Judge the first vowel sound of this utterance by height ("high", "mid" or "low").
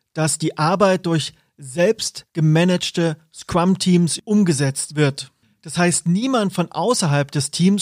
low